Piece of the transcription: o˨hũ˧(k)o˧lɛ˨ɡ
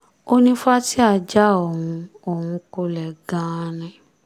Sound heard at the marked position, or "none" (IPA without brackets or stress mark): k